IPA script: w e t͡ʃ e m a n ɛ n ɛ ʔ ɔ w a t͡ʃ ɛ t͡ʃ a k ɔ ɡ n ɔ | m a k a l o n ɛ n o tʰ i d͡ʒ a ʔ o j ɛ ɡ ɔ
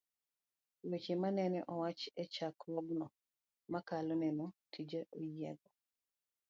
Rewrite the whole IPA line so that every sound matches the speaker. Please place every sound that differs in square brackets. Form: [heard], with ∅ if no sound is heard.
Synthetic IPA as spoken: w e t͡ʃ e m a n ɛ n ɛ ʔ ɔ w a t͡ʃ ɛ t͡ʃ a k ɔ ɡ n ɔ | m a k a l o n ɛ n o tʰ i d͡ʒ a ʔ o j ɛ ɡ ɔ